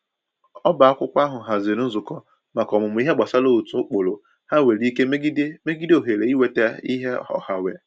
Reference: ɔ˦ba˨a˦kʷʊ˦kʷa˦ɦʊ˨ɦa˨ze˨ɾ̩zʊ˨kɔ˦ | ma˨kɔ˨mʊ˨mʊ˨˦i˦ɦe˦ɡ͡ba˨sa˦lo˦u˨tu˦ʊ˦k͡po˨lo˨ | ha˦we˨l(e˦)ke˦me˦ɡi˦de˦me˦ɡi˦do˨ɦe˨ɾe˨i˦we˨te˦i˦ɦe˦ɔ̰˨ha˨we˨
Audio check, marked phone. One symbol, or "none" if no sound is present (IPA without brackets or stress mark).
i˦